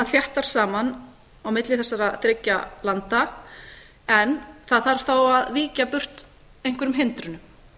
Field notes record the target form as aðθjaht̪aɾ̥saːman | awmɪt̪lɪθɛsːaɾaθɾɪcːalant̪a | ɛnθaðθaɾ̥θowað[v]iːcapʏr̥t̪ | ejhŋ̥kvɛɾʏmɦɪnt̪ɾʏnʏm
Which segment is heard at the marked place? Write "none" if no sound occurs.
v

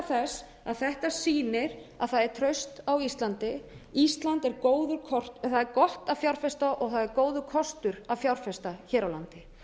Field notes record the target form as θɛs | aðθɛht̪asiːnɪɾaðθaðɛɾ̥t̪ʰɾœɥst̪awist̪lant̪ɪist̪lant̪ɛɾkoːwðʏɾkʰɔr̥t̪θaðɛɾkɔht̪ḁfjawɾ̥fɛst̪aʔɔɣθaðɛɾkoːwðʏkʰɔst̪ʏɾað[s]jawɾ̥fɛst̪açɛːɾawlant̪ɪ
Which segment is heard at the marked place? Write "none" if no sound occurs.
f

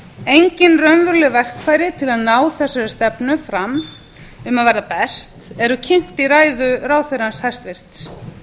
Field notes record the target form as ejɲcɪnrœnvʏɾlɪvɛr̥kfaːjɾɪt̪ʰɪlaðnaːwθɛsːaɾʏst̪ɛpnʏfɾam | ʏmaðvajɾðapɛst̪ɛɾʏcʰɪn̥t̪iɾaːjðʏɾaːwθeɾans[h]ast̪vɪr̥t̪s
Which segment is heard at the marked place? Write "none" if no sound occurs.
h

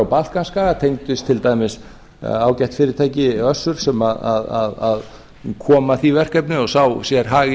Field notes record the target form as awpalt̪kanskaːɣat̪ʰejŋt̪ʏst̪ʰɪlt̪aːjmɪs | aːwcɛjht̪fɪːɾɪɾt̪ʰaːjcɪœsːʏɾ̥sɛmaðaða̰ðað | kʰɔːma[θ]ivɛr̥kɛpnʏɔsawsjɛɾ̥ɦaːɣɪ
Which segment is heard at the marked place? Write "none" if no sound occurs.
θ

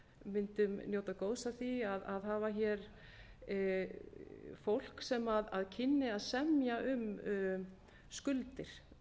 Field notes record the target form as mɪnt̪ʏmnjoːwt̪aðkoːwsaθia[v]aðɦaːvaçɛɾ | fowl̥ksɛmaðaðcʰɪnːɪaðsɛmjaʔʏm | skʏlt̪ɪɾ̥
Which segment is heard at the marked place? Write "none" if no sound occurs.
ð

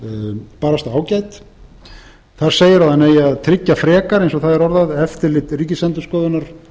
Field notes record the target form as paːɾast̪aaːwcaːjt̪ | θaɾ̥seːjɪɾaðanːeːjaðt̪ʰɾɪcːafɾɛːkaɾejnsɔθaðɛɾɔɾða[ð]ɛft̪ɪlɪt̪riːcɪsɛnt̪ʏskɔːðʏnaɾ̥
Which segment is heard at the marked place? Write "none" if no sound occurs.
ð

